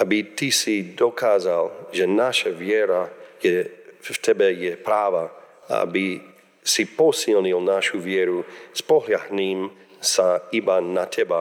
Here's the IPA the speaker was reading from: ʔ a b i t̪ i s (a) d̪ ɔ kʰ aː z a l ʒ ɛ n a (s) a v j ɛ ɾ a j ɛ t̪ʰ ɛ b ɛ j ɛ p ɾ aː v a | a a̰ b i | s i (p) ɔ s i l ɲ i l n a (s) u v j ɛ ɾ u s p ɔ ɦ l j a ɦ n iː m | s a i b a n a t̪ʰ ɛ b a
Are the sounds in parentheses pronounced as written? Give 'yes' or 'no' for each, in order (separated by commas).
no, no, yes, no